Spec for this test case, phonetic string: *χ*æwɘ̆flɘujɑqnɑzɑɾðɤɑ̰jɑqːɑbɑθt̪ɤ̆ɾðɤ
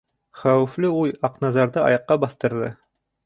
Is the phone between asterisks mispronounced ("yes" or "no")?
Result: no